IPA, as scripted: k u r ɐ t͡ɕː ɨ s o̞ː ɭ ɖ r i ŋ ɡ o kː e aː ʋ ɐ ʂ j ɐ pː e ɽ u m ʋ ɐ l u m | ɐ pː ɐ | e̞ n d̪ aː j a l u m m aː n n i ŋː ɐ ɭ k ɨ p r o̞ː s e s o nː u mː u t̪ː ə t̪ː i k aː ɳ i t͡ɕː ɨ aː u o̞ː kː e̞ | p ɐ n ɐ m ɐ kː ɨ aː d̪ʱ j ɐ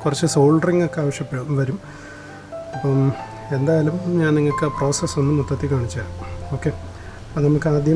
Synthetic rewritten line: k u r ɐ t͡ɕː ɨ s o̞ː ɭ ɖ r i ŋ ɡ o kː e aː ʋ ɐ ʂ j ɐ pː e ɽ u m ʋ ɐ ɾ u m | ɐ pː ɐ | e̞ n d̪ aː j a l u m ɲ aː n n i ŋː ɐ ɭ k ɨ p r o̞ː s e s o nː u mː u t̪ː ɐ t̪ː i k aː ɳ i t͡ɕː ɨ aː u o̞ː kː e̞ | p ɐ n ɐ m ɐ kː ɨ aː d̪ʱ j ɐ